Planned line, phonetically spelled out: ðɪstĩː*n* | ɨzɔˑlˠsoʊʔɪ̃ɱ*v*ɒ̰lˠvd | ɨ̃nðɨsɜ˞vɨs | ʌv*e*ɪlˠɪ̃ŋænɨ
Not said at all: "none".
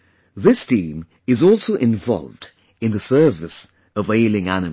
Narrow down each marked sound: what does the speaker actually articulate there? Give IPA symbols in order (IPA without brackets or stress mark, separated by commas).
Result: m, v, e